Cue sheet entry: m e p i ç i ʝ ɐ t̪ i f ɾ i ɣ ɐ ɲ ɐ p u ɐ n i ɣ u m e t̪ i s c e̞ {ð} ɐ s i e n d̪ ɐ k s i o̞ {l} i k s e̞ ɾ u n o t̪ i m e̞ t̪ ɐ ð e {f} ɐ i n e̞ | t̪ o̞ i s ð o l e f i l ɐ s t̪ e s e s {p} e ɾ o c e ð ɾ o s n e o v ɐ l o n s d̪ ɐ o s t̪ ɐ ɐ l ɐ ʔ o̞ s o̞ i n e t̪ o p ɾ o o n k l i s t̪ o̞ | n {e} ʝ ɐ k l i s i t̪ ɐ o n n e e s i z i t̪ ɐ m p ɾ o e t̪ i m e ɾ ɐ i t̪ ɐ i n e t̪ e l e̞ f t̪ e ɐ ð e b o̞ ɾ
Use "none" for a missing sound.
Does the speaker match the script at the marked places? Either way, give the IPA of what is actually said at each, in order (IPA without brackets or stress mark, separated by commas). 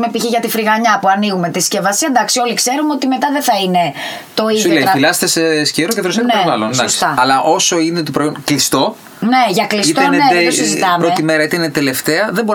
v, l, θ, c, e